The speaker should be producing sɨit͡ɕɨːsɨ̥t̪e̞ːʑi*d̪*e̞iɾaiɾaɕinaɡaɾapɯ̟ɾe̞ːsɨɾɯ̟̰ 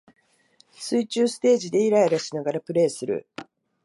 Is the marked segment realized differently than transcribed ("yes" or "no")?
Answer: no